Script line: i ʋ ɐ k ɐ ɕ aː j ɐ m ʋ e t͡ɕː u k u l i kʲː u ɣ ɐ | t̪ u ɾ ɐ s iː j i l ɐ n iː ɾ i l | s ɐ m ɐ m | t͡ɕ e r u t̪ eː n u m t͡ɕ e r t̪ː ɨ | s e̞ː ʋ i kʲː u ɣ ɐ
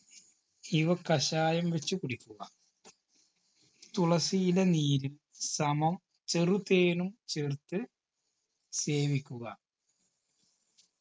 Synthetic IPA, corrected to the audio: i ʋ ɐ k ɐ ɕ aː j ɐ m ʋ e t͡ɕː u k u ɽ i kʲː u ɣ ɐ | t̪ u ɭ ɐ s i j i l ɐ n iː ɾ i l | s ɐ m ɐ m | t͡ɕ e r u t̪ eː n u m t͡ɕ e r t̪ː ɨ | s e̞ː ʋ i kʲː u ɣ ɐ